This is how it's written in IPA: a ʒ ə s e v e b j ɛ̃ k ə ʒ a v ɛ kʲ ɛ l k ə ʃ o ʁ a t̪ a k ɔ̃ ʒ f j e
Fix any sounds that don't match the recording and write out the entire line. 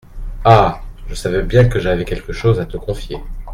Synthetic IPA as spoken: a ʒ ə s a v ɛ b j ɛ̃ k ə ʒ a v ɛ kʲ ɛ l k ə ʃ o z a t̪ ə k ɔ̃ f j e